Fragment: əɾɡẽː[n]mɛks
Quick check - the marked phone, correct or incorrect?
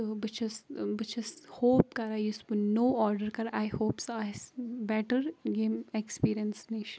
incorrect